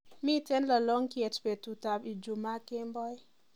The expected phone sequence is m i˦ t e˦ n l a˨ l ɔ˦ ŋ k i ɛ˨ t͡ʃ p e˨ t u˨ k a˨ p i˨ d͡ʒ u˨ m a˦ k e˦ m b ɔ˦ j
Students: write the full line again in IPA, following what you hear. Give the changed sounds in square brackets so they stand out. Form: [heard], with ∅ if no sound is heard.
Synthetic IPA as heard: m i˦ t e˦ n l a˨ l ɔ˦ ŋ k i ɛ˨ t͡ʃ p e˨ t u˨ [t] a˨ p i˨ d͡ʒ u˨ m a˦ k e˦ m b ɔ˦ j